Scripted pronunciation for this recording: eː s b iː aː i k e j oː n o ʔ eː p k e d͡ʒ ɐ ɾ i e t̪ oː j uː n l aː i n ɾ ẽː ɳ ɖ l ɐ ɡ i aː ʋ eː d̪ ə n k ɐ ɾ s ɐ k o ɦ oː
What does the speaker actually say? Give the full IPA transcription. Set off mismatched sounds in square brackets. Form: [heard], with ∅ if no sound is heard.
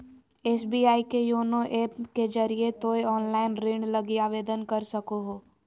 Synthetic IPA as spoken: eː s b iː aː i k e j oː n o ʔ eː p k e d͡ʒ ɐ ɾ i e t̪ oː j [ɔː] n l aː [ɪ] n ɾ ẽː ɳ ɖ l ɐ ɡ i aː ʋ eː d̪ ə n k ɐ ɾ s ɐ k o ɦ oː